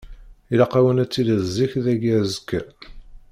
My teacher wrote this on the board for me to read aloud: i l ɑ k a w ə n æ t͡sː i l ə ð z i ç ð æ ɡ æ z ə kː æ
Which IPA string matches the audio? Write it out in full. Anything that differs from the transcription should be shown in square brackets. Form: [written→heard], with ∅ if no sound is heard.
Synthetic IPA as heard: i l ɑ [k→q] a w ə n æ t͡sː i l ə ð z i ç ð æ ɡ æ z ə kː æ